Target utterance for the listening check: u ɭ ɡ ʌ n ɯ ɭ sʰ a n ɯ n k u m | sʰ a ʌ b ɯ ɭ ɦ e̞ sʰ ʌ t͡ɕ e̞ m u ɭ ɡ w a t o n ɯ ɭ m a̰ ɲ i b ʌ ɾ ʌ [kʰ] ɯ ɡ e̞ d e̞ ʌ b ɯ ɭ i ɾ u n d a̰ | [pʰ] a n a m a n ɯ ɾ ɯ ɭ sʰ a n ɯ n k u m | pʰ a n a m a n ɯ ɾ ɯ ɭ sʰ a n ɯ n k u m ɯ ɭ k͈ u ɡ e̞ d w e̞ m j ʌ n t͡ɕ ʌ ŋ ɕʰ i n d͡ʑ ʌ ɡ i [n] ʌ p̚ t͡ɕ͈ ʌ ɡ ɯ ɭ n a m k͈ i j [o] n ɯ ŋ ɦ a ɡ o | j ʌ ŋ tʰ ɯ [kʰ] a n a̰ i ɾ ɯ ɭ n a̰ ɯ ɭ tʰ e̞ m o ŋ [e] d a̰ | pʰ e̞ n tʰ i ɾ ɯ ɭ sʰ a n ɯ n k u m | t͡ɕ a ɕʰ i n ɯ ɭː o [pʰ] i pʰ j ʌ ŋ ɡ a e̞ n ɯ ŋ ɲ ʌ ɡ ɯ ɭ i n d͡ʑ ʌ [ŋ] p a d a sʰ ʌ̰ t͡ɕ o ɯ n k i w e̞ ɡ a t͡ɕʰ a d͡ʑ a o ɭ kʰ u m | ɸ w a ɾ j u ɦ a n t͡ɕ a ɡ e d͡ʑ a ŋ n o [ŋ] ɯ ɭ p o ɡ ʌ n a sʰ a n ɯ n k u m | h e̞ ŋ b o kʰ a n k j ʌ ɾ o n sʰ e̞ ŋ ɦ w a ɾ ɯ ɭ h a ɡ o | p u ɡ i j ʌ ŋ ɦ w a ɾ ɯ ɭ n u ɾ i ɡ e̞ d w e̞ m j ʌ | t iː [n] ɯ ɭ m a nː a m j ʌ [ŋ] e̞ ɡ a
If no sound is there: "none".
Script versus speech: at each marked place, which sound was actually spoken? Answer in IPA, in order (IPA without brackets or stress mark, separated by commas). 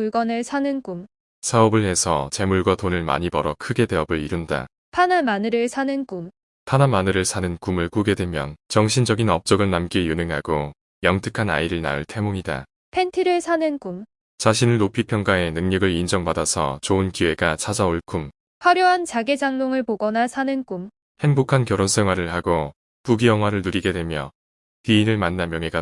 kʰ, pʰ, n, u, kʰ, i, pʰ, ŋ, ŋ, n, ŋ